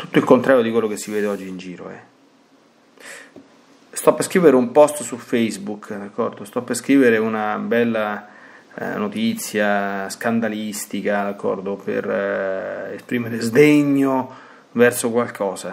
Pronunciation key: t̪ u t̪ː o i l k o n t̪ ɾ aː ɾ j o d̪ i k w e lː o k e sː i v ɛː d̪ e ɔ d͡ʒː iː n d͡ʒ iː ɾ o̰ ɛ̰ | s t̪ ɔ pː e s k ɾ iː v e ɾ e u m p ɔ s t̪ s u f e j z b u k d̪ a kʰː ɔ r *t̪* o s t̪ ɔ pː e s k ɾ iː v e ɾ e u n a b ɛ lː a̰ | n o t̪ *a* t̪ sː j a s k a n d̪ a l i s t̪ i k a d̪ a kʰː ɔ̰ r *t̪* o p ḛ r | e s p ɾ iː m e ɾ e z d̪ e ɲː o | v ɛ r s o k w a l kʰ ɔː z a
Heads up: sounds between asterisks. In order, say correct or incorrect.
incorrect, incorrect, incorrect

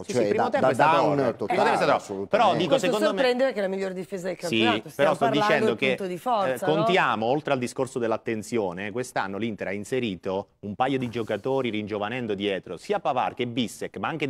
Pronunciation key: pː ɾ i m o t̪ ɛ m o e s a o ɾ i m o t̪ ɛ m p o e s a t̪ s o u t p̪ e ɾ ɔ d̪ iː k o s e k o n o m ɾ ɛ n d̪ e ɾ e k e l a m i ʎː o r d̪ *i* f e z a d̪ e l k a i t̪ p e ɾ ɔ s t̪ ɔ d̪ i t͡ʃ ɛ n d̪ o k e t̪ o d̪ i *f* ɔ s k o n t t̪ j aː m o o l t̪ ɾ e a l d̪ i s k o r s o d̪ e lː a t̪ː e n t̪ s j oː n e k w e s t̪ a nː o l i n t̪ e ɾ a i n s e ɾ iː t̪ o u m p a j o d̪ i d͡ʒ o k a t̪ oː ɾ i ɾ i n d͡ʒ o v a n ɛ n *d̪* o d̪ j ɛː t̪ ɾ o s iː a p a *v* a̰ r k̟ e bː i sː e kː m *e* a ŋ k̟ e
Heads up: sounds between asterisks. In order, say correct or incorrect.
correct, correct, correct, correct, incorrect

